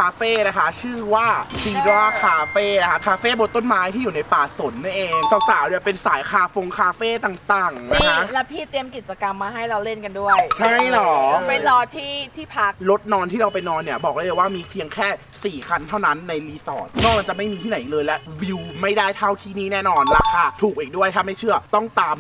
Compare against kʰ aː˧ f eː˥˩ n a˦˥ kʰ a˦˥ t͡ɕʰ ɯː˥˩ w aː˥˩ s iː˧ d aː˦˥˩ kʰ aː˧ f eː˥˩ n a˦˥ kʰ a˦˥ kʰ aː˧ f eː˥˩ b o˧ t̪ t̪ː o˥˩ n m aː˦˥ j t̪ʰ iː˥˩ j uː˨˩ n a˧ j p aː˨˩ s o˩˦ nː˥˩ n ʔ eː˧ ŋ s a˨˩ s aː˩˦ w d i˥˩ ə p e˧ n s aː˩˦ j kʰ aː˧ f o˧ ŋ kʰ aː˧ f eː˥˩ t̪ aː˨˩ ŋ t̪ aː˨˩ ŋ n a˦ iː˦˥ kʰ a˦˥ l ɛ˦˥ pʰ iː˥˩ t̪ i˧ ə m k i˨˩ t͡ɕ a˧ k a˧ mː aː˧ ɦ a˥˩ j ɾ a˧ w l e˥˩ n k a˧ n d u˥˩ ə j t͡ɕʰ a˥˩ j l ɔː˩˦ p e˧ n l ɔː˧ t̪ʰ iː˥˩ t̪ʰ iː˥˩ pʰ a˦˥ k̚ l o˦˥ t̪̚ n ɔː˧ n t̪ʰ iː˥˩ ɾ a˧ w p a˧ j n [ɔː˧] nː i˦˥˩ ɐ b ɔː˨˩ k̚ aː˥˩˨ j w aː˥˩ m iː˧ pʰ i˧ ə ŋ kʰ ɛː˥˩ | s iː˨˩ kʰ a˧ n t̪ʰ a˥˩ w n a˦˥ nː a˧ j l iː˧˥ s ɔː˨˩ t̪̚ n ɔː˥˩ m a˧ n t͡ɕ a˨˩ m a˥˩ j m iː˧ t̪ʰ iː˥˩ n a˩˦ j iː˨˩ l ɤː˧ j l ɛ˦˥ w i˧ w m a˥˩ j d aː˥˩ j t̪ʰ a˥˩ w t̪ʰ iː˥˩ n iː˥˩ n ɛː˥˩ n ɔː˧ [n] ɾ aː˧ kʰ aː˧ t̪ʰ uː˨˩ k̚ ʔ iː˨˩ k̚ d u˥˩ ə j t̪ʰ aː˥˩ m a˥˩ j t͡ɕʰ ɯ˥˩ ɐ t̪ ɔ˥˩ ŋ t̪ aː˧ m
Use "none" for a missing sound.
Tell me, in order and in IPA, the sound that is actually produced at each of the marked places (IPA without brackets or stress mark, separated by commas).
ɔː˧, n